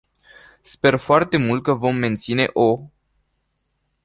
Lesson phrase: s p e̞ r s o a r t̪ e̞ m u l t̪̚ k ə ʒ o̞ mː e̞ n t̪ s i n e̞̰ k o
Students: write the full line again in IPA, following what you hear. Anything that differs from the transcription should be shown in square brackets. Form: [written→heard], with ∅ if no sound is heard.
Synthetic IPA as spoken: s p e̞ r [s→f] o a r t̪ e̞ m u l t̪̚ k ə [ʒ→v] o̞ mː e̞ n t̪ s i n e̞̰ [k→ʔ] o